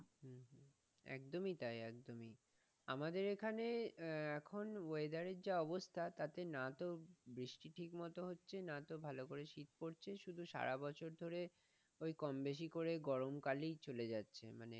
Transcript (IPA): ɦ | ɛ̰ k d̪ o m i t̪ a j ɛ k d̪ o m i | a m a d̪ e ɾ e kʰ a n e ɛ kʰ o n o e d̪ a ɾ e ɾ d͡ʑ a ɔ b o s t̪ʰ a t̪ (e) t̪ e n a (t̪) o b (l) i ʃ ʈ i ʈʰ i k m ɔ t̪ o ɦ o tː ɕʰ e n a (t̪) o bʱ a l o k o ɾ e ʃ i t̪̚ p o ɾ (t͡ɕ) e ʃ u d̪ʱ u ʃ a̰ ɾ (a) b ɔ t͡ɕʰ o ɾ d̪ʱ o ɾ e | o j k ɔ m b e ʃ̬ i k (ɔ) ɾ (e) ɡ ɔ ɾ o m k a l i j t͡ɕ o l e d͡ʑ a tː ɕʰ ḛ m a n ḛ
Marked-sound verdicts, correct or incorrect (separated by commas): incorrect, correct, incorrect, correct, incorrect, correct, incorrect, correct